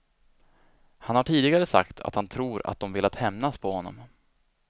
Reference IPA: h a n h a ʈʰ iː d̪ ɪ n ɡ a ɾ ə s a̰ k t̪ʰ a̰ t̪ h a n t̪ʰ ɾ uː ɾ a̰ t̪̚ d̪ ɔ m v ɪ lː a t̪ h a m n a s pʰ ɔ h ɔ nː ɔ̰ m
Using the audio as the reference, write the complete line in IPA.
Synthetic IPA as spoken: h a n h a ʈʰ iː d̪ ɪ ɡ a ɾ ə s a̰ k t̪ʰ a̰ t̪ h a n t̪ʰ ɾ uː ɾ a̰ t̪̚ d̪ ɔ m v ɪ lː a t̪ h ɛ m n a s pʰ ɔ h ɔ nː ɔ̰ m